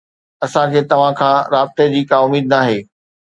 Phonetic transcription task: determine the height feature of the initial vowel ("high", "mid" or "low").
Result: low